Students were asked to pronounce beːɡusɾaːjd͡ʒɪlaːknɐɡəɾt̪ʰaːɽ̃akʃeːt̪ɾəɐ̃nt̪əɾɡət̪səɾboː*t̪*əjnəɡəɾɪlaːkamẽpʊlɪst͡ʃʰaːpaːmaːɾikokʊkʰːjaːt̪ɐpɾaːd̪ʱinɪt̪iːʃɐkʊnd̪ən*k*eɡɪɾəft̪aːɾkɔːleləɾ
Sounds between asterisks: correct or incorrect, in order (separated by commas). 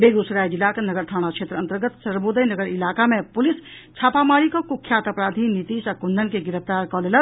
incorrect, correct